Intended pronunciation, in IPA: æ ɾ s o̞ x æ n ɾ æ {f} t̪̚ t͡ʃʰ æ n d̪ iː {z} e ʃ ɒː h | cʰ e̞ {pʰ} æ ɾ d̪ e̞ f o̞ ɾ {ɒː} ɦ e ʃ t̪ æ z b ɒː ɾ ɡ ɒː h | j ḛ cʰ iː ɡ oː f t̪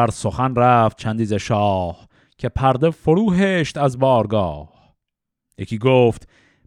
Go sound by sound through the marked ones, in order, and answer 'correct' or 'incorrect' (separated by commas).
correct, correct, correct, incorrect